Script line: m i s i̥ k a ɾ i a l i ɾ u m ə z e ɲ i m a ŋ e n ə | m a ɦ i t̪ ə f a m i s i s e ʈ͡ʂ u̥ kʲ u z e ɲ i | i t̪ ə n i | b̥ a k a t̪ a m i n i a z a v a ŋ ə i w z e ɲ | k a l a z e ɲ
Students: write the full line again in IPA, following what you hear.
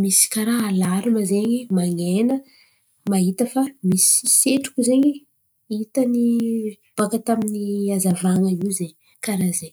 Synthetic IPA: m i s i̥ k a ɾ a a l a ɾ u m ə z e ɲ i m a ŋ e n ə | m a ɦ i t̪ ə f a m i s i s e ʈ͡ʂ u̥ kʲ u z e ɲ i | i t̪ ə n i | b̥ a k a t̪ a m i n i a z a v a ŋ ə i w z e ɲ | k a ɾ a z e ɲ